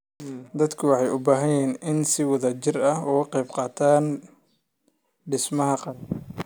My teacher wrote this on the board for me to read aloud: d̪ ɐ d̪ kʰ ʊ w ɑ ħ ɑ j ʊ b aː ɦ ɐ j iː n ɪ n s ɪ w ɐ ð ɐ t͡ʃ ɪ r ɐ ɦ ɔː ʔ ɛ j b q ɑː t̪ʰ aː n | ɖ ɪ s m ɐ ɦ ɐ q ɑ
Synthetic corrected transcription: d̪ ɐ d̪ kʰ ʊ w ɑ ħ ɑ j ʊ b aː ɦ ɐ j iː n ɪ n s ɪ w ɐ ð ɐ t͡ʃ ɪ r ɐ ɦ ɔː q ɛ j b q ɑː t̪ʰ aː n | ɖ ɪ s m ɐ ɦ ɐ q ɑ